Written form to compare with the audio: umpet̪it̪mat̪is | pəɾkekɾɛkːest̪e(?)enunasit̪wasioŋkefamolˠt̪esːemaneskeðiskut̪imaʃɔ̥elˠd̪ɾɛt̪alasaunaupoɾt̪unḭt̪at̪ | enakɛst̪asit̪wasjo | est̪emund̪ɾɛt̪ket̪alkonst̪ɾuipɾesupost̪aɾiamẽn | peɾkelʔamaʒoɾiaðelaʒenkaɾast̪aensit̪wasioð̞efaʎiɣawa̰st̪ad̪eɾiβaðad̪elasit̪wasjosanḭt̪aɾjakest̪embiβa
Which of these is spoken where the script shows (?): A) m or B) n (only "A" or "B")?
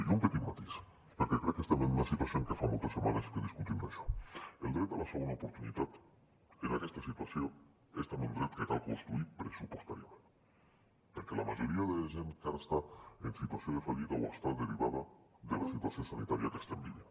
A